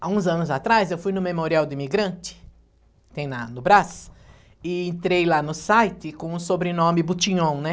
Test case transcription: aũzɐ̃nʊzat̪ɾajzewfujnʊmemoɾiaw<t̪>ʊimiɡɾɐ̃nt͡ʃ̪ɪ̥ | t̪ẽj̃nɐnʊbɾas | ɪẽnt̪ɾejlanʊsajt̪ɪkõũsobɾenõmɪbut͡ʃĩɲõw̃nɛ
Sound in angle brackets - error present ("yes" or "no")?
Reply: yes